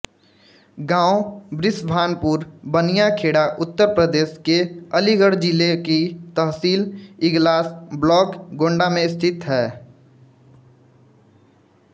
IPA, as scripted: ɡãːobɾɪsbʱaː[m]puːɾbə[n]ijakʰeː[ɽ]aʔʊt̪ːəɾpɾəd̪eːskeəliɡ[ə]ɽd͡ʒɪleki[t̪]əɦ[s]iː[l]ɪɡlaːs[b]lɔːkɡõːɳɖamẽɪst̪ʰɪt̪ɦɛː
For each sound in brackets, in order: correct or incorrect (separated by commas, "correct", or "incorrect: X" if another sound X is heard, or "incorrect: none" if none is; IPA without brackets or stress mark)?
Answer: incorrect: n, correct, correct, correct, correct, correct, correct, correct